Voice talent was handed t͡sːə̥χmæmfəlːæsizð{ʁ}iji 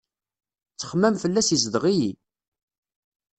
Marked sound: correct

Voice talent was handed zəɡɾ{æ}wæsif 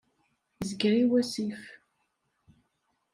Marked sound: incorrect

